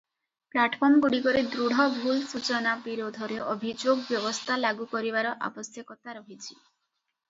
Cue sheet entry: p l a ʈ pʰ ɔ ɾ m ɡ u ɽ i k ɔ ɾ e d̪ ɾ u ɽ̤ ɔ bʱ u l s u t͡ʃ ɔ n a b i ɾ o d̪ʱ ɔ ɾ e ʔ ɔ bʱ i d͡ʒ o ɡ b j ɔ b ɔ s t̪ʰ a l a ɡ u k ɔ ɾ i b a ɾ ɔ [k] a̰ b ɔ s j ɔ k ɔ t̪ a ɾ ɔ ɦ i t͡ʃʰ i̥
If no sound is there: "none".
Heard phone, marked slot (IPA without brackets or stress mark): ʔ